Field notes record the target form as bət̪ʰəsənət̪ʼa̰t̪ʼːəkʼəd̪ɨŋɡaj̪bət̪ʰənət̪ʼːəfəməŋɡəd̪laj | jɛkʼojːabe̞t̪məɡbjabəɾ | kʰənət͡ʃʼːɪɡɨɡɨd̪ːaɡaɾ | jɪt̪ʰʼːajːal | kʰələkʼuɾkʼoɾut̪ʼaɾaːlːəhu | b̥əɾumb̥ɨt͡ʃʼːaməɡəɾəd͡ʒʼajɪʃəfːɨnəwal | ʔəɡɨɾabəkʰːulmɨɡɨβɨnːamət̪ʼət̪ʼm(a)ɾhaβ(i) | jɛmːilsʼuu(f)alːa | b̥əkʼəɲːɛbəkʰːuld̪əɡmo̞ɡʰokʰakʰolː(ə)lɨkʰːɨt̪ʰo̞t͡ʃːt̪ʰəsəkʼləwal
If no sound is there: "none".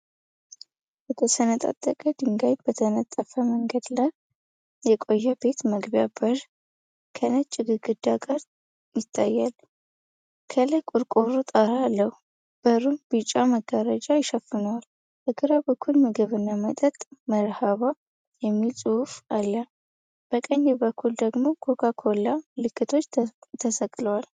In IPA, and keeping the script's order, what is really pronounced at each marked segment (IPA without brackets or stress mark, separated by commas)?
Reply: ə, a, f, a